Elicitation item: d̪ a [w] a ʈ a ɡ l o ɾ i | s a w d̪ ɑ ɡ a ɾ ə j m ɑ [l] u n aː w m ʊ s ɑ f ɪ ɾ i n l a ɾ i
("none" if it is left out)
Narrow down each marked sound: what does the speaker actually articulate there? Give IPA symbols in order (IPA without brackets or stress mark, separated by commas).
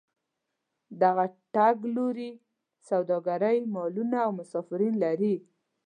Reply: ɣ, l